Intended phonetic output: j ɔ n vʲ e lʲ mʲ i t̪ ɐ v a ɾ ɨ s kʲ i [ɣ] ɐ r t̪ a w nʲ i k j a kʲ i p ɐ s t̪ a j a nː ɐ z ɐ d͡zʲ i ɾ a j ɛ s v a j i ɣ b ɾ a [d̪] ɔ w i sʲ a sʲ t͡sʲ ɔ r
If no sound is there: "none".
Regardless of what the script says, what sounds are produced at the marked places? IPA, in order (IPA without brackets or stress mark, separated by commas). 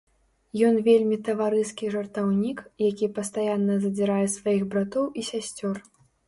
ʐ, t̪